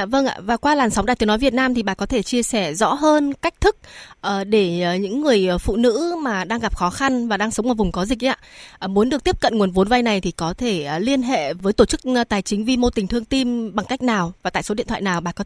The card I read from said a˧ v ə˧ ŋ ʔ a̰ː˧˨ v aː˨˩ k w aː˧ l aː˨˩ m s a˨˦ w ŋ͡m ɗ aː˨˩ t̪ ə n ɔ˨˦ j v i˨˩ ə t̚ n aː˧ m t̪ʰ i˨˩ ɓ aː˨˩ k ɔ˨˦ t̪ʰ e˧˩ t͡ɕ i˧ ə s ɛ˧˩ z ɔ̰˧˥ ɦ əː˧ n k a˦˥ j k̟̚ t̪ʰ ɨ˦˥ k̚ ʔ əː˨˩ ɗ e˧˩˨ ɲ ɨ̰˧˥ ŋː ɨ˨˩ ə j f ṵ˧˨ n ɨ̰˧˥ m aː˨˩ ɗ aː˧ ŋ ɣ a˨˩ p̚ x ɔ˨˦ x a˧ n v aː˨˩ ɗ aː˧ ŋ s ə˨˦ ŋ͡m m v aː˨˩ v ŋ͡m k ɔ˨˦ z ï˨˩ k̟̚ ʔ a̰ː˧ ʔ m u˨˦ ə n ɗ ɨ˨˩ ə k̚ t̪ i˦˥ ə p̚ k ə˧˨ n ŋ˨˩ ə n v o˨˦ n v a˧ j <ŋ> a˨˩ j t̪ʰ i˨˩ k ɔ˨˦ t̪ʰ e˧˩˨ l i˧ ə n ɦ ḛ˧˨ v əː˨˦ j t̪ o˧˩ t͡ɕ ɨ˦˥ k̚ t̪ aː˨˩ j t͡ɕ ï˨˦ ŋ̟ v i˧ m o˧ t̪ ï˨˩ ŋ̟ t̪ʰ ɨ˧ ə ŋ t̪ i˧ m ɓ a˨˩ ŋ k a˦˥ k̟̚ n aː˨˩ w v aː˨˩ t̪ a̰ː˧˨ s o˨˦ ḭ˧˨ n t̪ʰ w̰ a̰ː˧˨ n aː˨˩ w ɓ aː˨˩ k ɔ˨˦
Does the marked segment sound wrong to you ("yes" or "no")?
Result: yes